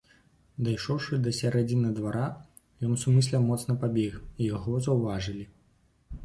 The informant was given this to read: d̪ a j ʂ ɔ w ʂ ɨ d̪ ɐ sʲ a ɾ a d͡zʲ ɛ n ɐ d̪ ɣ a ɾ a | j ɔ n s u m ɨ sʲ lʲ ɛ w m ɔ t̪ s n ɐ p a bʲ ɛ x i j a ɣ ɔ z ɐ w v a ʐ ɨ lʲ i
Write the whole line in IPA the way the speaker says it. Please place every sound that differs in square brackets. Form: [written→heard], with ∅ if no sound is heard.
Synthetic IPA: d̪ a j ʂ ɔ w ʂ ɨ d̪ ɐ sʲ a ɾ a d͡zʲ [ɛ→i] n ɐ d̪ [ɣ→v] a ɾ a | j ɔ n s u m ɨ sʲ lʲ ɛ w m ɔ t̪ s n ɐ p a bʲ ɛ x i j a ɣ ɔ z ɐ w v a ʐ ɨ lʲ i